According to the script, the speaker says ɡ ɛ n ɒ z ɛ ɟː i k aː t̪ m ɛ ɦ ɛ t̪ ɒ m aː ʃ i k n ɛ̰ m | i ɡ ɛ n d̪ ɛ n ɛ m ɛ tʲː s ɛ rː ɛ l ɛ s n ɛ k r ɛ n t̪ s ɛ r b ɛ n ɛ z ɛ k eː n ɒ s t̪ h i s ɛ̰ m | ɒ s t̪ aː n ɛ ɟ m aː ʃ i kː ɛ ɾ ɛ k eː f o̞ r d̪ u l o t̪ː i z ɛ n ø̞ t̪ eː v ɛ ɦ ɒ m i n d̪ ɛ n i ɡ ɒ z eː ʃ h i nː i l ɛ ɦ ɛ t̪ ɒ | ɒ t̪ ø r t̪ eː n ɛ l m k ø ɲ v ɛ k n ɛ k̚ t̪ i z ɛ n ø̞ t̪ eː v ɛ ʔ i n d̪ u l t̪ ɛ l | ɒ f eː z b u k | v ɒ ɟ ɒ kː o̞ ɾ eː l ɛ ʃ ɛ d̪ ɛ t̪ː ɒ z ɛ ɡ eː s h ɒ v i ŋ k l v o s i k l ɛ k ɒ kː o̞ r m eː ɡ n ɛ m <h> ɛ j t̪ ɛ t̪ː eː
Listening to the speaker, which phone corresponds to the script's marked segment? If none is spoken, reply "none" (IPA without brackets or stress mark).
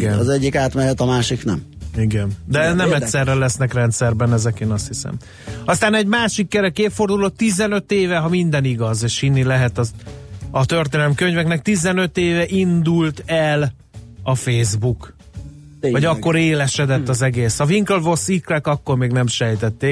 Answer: ʃ